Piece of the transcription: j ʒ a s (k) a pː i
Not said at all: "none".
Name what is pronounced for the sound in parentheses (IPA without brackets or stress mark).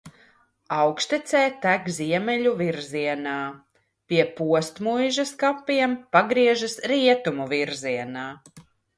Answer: k